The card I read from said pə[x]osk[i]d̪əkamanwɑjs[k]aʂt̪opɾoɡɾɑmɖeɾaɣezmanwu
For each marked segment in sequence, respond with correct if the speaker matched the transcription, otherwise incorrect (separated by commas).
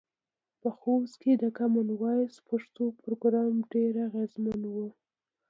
correct, incorrect, incorrect